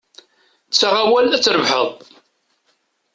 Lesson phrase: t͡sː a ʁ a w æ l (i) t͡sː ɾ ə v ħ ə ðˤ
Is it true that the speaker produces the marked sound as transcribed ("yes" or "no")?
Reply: no